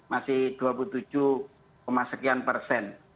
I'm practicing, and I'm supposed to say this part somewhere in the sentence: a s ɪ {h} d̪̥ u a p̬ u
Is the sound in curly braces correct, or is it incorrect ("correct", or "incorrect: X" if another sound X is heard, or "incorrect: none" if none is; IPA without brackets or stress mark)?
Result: correct